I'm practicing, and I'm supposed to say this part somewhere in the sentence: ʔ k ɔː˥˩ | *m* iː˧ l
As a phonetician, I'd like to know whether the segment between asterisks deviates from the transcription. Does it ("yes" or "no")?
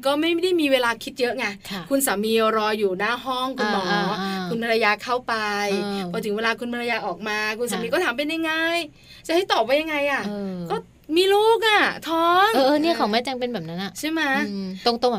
no